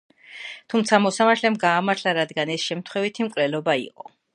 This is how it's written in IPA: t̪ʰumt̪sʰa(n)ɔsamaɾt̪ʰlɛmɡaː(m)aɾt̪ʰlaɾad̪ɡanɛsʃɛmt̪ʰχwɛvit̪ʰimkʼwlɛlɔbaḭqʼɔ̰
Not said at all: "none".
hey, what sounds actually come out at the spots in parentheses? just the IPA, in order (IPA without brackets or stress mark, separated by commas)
m, m